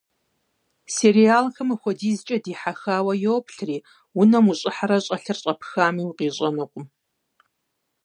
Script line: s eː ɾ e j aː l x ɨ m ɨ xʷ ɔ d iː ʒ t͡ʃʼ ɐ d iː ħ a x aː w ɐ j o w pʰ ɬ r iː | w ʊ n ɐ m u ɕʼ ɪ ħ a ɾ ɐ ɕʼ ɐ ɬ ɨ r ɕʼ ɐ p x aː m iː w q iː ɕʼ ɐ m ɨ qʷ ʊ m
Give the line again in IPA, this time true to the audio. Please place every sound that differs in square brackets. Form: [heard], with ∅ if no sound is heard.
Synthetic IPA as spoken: s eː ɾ [i] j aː l x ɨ m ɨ xʷ ɔ d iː [z] t͡ʃʼ ɐ d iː ħ a x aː w ɐ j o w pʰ ɬ r iː | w ʊ n ɐ m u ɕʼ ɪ ħ a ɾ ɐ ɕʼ ɐ ɬ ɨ r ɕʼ ɐ p x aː m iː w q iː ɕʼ ɐ [n] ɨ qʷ ʊ m

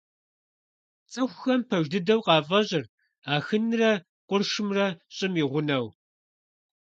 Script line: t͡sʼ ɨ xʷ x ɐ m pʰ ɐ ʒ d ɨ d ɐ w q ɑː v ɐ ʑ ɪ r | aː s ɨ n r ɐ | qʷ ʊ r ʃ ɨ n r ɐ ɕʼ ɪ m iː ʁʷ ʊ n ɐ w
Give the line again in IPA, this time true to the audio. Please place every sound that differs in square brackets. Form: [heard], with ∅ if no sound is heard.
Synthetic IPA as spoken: t͡sʼ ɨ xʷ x ɐ m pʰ ɐ ʒ d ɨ d ɐ w q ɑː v ɐ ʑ ɪ r | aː [x] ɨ n r ɐ | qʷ ʊ r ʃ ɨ [m] r ɐ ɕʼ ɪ m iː ʁʷ ʊ n ɐ w

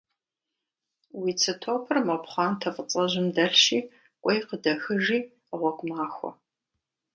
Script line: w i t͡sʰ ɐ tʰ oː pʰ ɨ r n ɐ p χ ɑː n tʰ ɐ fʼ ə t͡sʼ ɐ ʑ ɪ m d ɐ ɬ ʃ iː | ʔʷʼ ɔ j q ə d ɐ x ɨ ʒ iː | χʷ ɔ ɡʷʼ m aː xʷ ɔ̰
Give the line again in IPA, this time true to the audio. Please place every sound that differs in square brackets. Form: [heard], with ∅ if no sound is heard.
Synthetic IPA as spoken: w i t͡sʰ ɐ tʰ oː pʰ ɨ r [m] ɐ p χ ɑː n tʰ ɐ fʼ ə t͡sʼ ɐ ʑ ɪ m d ɐ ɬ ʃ iː | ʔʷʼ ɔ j q ə d ɐ x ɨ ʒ iː | [ʁʷ] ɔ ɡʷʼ m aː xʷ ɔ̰

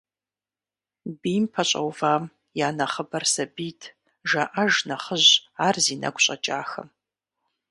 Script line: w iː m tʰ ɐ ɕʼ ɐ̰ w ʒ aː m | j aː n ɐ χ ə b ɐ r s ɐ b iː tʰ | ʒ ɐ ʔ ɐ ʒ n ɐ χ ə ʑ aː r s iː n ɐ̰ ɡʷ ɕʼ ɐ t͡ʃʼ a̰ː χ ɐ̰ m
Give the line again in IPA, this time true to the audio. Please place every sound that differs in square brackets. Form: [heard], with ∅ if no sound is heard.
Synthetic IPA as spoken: [b] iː m [pʰ] ɐ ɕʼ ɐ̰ w [v] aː m | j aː n ɐ χ ə b ɐ r s ɐ b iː tʰ | ʒ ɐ ʔ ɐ ʒ n ɐ χ ə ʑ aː r [z] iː n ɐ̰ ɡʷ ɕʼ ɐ t͡ʃʼ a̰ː [x] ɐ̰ m

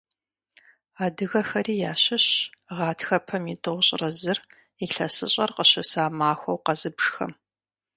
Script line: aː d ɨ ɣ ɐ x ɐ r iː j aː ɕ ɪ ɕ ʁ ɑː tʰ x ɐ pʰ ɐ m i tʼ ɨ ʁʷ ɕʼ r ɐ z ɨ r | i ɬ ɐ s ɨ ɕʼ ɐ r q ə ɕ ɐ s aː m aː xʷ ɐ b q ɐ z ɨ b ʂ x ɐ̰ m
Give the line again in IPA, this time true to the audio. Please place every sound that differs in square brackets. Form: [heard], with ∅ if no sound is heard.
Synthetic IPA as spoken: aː d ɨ ɣ ɐ x ɐ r iː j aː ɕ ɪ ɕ ʁ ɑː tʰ x ɐ pʰ ɐ m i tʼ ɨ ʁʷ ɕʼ r ɐ z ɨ r | i ɬ ɐ s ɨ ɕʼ ɐ r q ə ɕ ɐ s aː m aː xʷ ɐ [w] q ɐ z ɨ b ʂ x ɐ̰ m

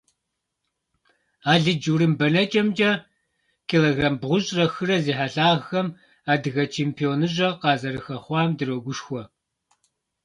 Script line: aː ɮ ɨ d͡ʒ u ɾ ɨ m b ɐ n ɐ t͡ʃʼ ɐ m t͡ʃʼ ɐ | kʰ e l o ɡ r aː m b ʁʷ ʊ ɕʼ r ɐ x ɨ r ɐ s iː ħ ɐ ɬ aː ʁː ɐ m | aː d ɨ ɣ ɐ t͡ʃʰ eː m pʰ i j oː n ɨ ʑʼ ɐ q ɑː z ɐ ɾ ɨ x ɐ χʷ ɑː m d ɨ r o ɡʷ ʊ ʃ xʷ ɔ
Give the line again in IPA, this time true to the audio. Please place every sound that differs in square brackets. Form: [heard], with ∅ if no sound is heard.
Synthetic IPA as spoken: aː ɮ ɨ d͡ʒ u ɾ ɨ m b ɐ n ɐ t͡ʃʼ ɐ m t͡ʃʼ ɐ | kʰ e l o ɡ r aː m b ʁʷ ʊ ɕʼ r ɐ x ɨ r ɐ [z] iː ħ [a] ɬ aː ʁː ɐ m | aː d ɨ ɣ ɐ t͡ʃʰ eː m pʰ i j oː n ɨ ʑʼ ɐ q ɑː z ɐ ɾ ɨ x ɐ χʷ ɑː m d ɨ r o ɡʷ ʊ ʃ xʷ ɔ

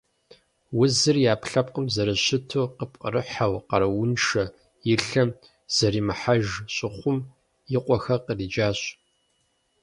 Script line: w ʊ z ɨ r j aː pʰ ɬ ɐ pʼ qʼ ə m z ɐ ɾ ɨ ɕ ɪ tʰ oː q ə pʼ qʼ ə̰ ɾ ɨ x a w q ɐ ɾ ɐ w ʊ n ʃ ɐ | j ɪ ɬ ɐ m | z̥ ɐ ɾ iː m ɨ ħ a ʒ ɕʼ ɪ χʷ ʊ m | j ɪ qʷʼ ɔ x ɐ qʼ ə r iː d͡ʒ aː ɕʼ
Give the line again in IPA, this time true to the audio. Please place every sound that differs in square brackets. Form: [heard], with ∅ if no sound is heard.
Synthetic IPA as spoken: w ʊ z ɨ r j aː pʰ ɬ ɐ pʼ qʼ ə m z ɐ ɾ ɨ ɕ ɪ tʰ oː q ə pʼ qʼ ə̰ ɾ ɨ [ħ] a w q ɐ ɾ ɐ w ʊ n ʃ ɐ | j ɪ ɬ ɐ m | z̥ ɐ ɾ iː m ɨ ħ a ʒ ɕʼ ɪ χʷ ʊ m | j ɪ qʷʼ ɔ x ɐ [q] ə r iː d͡ʒ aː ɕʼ

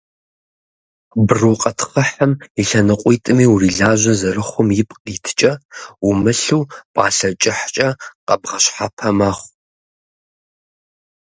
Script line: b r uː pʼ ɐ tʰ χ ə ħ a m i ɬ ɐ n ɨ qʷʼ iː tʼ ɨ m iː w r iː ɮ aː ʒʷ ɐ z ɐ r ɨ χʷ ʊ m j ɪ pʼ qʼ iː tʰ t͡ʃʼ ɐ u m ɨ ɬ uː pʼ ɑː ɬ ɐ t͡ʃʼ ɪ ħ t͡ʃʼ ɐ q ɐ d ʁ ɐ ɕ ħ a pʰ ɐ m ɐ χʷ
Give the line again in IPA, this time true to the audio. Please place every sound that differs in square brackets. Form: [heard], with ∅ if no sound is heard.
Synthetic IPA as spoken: b r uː [qʼ] ɐ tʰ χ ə ħ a m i ɬ ɐ n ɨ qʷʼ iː tʼ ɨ m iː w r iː ɮ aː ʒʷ ɐ z ɐ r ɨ χʷ ʊ m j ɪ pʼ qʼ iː tʰ t͡ʃʼ ɐ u m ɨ ɬ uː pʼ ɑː ɬ ɐ t͡ʃʼ ɪ ħ t͡ʃʼ ɐ q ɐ [b] ʁ ɐ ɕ ħ a pʰ ɐ m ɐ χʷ

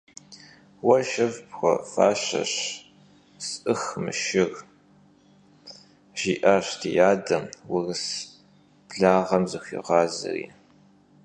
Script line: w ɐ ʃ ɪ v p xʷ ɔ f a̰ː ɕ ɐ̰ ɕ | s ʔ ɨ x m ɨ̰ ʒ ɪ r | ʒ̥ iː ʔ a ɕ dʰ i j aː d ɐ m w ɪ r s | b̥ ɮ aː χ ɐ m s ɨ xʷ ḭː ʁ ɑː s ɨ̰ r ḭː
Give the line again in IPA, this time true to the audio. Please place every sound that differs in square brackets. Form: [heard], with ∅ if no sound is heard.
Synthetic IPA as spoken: w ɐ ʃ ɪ v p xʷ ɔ f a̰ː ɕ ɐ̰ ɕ | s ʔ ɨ x m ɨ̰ [ʃ] ɪ r | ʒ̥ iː ʔ a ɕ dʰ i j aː d ɐ m w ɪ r s | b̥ ɮ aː [ʁ] ɐ m [z] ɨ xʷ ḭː ʁ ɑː [z] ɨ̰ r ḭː

